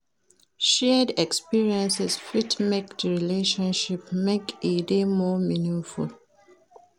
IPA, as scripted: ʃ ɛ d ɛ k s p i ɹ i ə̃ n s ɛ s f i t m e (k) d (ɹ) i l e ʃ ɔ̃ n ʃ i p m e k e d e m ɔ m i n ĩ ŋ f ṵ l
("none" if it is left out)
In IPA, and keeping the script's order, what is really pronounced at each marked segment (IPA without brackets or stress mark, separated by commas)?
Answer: k, ɹ